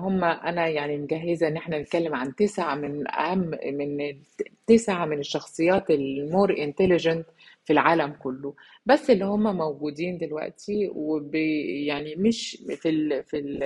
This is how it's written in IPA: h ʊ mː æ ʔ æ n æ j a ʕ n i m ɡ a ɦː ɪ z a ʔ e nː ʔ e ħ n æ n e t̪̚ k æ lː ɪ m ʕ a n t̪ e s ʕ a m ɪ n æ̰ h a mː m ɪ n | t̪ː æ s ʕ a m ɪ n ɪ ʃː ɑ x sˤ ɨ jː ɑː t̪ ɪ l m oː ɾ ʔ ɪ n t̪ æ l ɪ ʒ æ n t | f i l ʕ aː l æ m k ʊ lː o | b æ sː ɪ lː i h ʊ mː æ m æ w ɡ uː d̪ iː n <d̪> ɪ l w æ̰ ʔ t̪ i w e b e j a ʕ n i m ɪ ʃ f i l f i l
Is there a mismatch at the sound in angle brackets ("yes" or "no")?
no